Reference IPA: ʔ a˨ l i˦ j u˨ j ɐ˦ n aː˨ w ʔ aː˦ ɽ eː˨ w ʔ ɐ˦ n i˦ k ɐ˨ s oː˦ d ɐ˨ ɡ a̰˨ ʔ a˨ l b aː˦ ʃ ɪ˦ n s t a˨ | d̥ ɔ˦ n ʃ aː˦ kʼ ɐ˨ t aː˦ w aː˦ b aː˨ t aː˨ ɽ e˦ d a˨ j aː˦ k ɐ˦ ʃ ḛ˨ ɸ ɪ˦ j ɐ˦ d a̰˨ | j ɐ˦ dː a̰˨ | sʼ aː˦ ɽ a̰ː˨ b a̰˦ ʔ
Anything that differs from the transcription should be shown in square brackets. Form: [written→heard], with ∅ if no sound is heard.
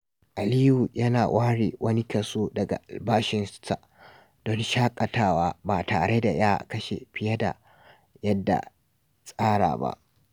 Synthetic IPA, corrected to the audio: ʔ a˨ l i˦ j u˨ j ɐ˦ n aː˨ w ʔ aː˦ ɽ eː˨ w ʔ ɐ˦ n i˦ k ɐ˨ s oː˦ d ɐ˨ ɡ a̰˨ ʔ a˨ l b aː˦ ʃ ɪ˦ n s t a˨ | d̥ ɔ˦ n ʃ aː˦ kʼ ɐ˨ t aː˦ w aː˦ b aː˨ t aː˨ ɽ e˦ d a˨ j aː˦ k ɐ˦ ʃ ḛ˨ ɸ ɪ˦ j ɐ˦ d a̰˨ | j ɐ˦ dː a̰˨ | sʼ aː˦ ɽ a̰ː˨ b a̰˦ ʔ